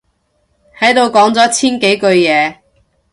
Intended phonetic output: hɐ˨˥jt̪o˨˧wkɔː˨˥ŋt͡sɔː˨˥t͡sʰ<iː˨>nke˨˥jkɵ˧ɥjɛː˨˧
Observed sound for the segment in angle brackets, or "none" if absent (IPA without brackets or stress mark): iː˥